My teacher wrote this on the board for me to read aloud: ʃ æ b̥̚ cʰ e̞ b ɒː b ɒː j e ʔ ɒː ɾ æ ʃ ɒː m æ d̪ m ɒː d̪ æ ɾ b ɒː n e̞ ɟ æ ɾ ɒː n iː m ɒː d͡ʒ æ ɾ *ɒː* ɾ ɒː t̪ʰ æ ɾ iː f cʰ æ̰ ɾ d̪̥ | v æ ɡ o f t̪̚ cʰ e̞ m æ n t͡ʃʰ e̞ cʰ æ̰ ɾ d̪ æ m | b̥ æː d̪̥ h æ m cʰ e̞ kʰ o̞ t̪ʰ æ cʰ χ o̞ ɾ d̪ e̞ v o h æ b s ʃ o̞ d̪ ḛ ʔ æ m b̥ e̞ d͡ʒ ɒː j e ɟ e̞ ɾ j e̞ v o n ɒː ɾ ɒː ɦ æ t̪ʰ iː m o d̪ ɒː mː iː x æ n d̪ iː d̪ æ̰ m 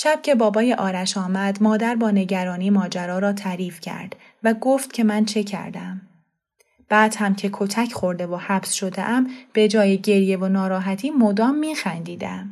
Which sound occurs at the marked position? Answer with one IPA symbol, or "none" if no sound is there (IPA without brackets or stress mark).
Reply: ɒː